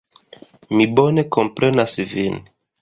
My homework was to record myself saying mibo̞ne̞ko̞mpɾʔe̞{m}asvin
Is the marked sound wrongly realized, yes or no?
yes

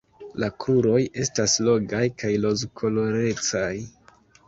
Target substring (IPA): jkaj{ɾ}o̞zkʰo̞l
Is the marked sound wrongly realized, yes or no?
yes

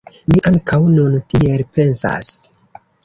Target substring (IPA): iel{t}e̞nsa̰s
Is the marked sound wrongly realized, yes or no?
yes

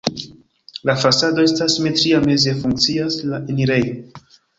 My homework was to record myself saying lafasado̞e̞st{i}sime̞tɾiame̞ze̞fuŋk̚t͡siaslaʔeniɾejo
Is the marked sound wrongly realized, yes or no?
yes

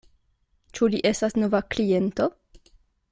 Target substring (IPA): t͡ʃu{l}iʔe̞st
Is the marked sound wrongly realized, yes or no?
no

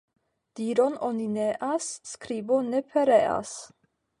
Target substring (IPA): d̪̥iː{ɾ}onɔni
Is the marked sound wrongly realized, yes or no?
no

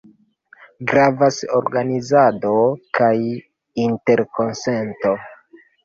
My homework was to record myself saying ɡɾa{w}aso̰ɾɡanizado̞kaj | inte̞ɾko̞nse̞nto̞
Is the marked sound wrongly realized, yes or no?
yes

